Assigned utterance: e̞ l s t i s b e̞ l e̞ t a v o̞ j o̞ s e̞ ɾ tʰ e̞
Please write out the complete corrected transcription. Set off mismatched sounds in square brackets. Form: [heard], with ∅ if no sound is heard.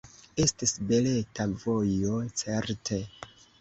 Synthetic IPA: e̞ [∅] s t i s b e̞ l e̞ t a v o̞ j o̞ [t͡s] e̞ ɾ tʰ e̞